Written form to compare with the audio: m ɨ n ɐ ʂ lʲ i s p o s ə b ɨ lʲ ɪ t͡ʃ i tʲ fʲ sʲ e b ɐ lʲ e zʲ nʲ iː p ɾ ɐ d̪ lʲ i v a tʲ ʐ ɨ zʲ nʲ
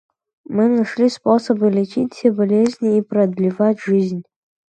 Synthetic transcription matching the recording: m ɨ n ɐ ʂ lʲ i s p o s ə b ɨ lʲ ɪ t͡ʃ i tʲ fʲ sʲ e b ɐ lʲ e zʲ nʲ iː p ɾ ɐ d̪ lʲ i v a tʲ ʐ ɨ zʲ nʲ